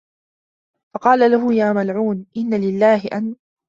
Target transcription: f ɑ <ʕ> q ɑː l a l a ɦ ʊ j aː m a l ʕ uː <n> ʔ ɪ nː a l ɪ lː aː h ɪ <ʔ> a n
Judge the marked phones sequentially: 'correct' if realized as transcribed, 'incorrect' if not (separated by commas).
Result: incorrect, correct, correct